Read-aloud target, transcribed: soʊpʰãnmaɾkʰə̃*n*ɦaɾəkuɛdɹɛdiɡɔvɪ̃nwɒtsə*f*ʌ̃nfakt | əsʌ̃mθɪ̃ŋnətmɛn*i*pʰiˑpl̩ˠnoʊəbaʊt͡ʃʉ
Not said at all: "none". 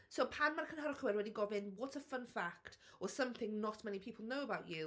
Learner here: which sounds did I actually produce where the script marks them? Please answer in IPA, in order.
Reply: n, f, i

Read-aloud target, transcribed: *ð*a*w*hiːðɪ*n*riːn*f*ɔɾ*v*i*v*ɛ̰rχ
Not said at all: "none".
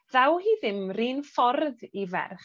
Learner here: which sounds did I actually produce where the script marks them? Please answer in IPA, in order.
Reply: ð, w, m, f, ð, v

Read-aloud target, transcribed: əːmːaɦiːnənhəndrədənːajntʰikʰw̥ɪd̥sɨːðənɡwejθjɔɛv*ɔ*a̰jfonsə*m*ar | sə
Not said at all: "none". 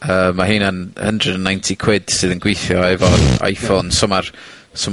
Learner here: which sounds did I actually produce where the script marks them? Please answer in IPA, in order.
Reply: ɔ, m

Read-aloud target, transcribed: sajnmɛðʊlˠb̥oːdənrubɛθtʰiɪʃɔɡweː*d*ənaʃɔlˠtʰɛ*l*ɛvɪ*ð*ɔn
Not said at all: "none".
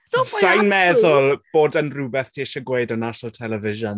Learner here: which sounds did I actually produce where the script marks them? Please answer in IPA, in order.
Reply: d, l, ʒ

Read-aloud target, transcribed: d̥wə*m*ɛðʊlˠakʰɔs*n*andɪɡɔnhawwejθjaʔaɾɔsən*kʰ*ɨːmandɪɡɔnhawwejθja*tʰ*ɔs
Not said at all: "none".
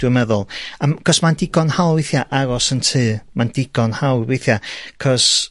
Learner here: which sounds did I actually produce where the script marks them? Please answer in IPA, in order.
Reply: m, m, tʰ, kʰ

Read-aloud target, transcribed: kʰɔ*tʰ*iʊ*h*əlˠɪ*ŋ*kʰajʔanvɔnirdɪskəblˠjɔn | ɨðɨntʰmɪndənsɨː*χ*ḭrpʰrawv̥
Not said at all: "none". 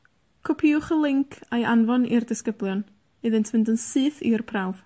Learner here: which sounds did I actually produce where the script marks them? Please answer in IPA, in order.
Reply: pʰ, χ, ŋ, θ

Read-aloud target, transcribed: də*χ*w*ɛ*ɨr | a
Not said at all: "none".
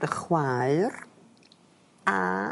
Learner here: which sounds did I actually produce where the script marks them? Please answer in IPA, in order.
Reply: χ, a

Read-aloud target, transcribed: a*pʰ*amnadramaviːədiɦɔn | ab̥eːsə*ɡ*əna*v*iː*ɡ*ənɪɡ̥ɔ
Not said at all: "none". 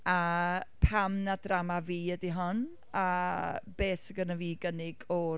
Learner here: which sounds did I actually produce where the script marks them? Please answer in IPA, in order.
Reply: pʰ, ɡ, v, ɡ

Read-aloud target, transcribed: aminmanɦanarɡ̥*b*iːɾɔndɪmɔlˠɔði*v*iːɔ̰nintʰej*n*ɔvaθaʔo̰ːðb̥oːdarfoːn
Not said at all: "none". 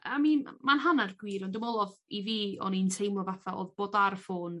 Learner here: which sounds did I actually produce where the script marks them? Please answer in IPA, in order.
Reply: w, v, m

